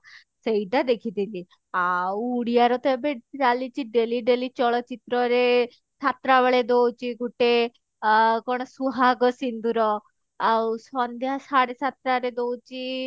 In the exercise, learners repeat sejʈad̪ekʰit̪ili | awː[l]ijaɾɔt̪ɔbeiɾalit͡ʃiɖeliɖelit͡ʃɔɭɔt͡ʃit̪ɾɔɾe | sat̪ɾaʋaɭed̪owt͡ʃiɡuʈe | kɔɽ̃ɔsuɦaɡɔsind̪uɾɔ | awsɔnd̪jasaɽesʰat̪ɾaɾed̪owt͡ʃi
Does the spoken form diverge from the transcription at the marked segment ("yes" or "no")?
yes